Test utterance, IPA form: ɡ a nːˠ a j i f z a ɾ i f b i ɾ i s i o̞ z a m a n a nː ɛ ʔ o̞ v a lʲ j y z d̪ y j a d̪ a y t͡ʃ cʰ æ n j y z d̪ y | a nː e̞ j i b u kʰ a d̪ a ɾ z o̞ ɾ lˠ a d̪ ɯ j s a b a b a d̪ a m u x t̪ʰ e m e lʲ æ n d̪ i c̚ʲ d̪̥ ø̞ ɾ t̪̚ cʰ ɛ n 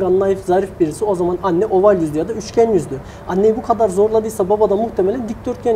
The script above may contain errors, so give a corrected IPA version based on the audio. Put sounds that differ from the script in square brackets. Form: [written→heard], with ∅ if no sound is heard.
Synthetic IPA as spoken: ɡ a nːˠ a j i f z a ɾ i f b i ɾ i s i o̞ z a m a n a nː ɛ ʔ o̞ v a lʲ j y z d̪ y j a d̪ a y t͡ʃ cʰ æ n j y z d̪ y | a nː e̞ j i b u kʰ a d̪ a ɾ z o̞ ɾ lˠ a d̪ ɯ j s a b a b a d̪ a m u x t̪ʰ e m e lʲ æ n d̪ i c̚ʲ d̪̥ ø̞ ɾ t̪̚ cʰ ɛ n